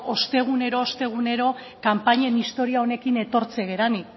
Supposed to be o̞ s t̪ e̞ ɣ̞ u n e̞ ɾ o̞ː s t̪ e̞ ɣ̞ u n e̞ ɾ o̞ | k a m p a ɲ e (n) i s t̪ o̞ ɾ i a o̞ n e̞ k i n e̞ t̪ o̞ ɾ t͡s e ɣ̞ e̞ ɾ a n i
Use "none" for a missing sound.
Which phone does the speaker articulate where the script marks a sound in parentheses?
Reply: n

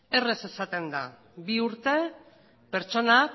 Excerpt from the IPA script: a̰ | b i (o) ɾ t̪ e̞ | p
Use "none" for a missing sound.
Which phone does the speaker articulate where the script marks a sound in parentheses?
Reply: u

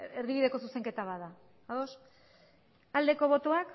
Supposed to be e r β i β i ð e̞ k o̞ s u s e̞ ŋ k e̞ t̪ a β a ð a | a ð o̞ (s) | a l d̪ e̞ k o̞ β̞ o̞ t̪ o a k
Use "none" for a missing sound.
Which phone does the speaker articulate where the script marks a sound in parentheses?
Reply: s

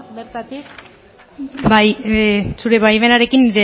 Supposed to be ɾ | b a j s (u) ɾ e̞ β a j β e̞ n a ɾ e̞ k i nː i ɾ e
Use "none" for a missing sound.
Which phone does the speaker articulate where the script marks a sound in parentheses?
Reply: u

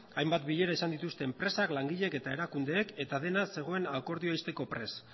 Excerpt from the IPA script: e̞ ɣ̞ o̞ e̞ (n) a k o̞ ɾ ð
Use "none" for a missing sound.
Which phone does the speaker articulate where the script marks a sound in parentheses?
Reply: n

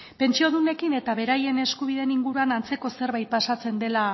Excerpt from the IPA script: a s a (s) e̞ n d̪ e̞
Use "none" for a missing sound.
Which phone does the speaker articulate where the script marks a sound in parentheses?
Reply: t͡s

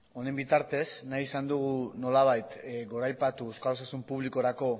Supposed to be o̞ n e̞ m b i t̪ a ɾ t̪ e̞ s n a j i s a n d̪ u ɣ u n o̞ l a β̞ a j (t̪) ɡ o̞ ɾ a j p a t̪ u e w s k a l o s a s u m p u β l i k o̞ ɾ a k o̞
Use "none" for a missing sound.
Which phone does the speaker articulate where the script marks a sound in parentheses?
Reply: t̪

